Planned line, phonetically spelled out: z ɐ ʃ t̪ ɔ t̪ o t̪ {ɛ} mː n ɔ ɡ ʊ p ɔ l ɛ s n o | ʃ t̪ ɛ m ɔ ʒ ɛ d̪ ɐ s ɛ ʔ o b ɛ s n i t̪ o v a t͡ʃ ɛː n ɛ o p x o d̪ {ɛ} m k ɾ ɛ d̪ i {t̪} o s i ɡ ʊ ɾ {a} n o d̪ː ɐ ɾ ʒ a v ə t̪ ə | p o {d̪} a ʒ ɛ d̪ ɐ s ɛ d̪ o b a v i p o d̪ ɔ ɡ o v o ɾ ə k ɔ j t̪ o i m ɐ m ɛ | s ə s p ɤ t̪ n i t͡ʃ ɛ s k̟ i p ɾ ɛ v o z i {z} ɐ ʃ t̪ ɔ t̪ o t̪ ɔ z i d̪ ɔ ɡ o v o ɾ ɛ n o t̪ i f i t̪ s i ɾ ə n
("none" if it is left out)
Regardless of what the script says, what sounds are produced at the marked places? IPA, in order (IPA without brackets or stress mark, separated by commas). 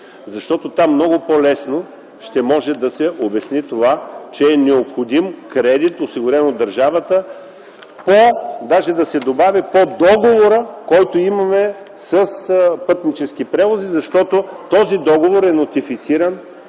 a, i, t̪, ɛ, d̪, z